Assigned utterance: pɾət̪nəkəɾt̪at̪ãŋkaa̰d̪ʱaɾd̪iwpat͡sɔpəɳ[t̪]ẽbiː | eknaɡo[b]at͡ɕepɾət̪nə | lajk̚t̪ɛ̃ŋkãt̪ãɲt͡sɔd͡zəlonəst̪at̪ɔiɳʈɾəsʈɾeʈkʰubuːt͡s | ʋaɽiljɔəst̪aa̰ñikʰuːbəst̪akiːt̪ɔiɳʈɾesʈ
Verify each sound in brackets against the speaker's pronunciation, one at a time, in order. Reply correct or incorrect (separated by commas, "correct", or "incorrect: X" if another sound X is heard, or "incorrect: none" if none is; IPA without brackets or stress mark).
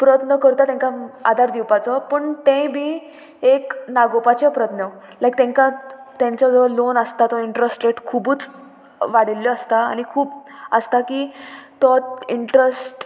correct, incorrect: p